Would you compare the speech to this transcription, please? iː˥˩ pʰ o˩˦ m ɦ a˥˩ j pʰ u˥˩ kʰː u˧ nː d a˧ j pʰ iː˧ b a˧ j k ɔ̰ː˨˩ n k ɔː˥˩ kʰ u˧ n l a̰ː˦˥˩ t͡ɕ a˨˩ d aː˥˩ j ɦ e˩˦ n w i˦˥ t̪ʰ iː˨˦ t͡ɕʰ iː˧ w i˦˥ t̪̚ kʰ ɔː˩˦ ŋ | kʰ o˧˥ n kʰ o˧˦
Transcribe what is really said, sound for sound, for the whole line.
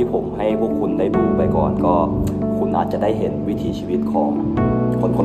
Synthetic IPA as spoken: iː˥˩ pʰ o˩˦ m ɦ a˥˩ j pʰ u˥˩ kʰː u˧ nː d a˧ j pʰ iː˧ p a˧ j k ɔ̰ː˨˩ n k ɔː˥˩ kʰ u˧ n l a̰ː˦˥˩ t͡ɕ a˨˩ d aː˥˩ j ɦ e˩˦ n w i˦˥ t̪ʰ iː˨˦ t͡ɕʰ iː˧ w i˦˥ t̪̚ kʰ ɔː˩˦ ŋ | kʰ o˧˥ n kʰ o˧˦

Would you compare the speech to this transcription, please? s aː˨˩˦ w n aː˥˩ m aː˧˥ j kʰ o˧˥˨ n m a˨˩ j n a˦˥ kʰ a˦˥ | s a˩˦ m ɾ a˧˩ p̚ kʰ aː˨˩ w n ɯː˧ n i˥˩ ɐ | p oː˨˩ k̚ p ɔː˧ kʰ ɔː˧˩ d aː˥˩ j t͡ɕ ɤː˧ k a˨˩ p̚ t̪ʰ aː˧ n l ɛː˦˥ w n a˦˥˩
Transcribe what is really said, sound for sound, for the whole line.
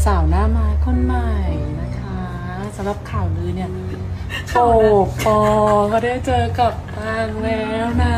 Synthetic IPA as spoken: s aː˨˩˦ w n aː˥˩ m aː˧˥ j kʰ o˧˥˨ n m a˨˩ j n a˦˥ kʰ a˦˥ | s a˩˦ m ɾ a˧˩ p̚ kʰ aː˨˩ w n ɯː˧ n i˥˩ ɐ | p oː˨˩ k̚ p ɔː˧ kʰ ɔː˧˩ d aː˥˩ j t͡ɕ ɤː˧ k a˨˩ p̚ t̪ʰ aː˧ ŋ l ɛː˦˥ w n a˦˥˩

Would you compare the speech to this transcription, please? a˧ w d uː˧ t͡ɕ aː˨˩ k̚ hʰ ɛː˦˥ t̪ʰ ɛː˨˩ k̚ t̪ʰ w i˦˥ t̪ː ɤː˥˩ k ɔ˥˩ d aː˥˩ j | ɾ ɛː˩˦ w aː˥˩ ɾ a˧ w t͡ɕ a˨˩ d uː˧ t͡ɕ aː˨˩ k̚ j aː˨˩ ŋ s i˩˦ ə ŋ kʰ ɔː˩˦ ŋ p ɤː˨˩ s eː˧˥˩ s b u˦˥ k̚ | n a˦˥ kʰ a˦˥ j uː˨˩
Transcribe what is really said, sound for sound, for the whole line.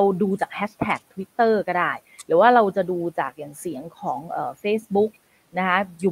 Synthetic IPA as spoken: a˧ w d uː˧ t͡ɕ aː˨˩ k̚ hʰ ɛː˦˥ t̪ʰ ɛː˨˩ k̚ t̪ʰ w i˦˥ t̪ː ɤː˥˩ k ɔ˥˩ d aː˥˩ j | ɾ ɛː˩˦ w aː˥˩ ɾ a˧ w t͡ɕ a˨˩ d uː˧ t͡ɕ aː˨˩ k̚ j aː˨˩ ŋ s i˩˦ ə ŋ kʰ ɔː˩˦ ŋ ʔ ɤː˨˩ f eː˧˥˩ s b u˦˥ k̚ | n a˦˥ kʰ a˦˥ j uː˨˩

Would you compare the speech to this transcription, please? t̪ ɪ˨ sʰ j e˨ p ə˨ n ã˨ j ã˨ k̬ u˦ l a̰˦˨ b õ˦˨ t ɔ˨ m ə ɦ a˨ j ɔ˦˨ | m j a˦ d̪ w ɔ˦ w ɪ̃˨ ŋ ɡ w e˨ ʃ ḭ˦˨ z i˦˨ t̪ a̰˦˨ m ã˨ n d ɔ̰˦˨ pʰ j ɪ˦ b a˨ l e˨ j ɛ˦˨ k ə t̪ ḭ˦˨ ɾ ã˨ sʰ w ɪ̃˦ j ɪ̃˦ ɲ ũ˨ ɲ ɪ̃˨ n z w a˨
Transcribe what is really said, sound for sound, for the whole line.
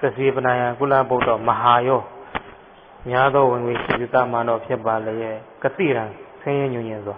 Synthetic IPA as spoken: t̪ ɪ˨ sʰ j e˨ p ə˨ n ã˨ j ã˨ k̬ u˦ l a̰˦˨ b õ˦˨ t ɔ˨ m ə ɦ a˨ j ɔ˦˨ | m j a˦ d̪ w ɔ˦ w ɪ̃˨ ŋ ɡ w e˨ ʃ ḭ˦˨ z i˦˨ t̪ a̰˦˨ m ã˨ n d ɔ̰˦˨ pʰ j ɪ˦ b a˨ l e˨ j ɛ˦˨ k ə t̪ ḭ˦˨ ɾ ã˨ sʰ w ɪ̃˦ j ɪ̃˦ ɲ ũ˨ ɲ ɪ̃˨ n z w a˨

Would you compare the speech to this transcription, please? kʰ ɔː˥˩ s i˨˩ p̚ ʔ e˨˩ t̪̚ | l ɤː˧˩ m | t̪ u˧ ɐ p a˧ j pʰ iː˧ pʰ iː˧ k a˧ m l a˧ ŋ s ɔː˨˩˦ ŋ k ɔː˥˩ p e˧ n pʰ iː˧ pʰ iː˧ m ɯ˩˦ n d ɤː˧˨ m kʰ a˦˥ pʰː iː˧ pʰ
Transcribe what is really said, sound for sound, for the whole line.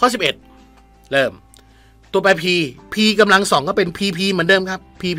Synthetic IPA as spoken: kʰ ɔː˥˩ s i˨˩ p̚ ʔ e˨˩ t̪̚ | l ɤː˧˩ m | t̪ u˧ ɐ p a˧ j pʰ iː˧ pʰ iː˧ k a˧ m l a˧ ŋ s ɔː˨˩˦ ŋ k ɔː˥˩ p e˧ n pʰ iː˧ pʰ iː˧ m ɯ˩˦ n d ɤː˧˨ m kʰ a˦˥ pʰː iː˧ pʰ

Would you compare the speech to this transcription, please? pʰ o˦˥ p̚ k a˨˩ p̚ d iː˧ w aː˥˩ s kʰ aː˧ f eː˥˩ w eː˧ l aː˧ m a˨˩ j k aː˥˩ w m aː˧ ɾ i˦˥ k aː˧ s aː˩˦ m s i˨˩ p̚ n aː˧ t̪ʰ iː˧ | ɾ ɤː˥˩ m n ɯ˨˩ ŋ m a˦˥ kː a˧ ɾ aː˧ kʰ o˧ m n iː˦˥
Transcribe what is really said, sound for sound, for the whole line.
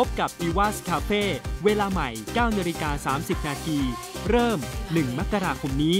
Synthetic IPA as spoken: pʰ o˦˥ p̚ k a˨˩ p̚ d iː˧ w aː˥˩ s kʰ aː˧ f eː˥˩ w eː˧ l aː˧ m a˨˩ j k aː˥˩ w n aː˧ ɾ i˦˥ k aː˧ s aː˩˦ m s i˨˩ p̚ n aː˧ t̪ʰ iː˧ | ɾ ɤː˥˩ m n ɯ˨˩ ŋ m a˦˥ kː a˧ ɾ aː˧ kʰ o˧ m n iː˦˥

